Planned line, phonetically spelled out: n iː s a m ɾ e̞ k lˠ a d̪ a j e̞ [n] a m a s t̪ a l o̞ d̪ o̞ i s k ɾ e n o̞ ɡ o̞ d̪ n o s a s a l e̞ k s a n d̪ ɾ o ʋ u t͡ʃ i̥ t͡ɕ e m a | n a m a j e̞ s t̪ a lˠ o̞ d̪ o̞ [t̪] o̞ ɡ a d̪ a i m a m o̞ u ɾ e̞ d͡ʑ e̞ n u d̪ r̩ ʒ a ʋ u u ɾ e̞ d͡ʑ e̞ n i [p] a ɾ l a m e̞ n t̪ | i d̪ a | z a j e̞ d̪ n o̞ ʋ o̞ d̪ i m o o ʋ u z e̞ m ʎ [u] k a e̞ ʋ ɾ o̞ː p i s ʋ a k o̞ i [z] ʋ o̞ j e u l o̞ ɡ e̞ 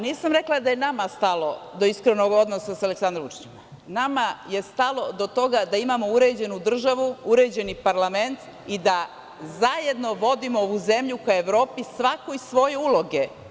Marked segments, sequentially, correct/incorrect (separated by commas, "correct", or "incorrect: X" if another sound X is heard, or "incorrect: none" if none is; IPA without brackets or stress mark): correct, correct, correct, correct, incorrect: s